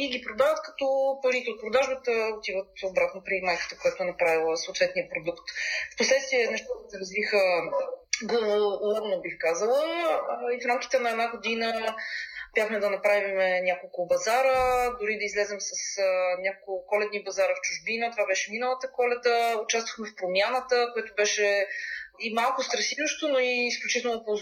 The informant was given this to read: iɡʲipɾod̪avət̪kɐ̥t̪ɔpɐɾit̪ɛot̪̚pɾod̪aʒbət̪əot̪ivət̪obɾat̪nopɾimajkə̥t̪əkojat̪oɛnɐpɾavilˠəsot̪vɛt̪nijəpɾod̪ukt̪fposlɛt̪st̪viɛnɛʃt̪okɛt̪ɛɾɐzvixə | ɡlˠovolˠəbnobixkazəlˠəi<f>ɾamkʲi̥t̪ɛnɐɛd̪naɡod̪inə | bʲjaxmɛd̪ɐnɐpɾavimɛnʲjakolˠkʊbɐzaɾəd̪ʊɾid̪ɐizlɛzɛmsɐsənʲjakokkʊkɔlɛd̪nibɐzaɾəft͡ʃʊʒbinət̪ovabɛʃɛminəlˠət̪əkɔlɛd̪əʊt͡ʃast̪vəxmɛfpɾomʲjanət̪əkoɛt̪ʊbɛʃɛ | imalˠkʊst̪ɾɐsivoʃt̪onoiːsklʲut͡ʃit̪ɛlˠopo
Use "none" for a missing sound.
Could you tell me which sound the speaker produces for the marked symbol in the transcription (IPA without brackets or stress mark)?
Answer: f